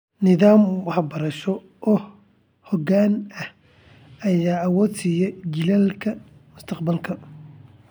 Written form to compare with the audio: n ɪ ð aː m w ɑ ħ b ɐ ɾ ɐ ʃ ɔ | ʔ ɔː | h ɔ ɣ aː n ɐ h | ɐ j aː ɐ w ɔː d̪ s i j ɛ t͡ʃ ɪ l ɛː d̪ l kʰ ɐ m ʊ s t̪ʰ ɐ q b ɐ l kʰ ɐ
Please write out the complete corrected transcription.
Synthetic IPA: n ɪ ð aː m w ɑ ħ b ɐ ɾ ɐ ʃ ɔ | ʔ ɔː | h ɔ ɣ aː n ɐ h | ɐ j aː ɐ w ɔː d̪ s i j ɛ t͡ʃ ɪ l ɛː l kʰ ɐ m ʊ s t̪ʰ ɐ q b ɐ l kʰ ɐ